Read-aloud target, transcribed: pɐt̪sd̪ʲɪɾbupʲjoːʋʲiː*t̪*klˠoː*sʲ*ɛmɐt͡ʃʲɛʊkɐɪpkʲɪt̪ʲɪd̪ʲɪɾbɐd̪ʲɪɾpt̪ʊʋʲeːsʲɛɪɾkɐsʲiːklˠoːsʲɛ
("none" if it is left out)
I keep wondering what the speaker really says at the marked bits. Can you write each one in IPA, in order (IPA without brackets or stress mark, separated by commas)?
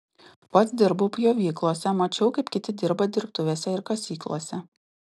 none, sʲ